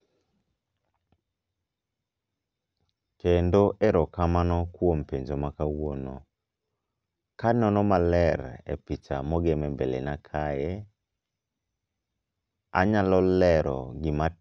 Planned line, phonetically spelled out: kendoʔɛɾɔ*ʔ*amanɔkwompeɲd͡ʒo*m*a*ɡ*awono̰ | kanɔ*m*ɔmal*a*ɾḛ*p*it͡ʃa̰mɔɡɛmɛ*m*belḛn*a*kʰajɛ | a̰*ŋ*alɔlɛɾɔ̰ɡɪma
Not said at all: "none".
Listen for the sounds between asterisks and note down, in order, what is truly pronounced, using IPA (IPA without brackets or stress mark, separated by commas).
k, m, k, n, ɛ, p, m, a, ɲ